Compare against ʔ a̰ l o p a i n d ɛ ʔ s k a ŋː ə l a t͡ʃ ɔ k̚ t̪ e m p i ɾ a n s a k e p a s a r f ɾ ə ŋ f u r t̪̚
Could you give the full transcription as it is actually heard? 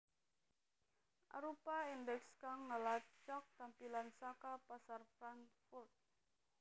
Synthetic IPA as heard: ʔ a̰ ɾ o p a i n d ɛ k s k a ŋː ə l a t͡ʃ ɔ k̚ t̪ a m p i l a n s a k a p a s a r f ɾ a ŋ f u r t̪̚